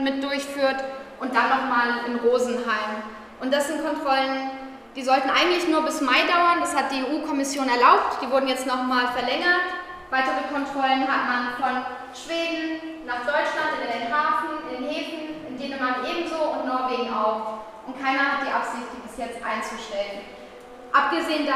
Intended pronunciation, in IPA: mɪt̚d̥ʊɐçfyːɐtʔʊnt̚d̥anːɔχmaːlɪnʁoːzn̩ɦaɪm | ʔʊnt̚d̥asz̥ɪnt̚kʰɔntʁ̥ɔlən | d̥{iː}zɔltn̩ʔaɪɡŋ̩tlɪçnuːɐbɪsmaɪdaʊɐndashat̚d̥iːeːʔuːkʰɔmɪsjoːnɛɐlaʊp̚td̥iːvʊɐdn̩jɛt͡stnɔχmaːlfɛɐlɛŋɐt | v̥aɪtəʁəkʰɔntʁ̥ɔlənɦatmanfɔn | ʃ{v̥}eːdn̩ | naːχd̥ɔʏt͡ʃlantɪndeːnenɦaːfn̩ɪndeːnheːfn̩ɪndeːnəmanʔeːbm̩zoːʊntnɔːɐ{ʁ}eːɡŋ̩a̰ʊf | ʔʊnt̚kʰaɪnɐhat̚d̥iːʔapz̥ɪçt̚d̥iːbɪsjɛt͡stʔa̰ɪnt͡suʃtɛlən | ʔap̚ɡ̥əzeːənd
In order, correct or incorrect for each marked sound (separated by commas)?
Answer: correct, correct, incorrect